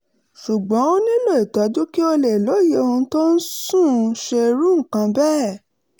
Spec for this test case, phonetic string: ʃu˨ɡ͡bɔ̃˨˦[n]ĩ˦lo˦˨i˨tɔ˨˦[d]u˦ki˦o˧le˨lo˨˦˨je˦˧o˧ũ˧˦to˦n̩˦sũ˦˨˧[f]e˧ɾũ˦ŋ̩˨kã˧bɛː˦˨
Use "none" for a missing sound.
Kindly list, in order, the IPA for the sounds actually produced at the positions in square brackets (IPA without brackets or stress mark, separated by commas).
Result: n, d, ʃ